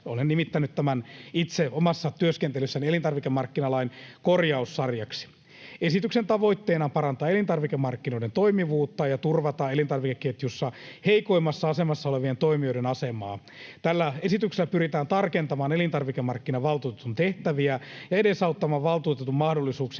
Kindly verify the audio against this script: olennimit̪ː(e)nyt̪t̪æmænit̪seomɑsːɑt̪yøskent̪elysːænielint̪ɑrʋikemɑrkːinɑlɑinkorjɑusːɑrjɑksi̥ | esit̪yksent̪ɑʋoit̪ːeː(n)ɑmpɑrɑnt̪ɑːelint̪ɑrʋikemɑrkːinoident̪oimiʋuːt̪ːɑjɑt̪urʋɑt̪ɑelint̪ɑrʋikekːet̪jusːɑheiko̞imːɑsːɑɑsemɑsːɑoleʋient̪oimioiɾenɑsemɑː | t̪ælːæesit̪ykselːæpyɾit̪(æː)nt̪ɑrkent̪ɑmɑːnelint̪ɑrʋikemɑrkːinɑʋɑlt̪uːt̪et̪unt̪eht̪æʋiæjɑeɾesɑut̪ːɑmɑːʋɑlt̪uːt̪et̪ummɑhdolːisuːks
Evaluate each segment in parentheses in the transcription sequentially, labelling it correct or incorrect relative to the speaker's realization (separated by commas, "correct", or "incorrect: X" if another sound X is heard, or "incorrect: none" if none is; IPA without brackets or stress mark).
incorrect: æ, correct, correct